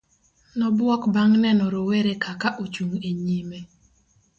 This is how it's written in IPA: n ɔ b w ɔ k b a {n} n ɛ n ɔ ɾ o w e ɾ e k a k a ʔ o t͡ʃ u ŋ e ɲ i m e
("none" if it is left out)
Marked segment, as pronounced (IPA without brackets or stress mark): ŋ